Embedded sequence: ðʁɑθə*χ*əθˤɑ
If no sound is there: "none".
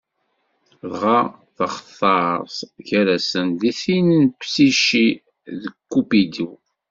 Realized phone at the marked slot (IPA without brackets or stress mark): χ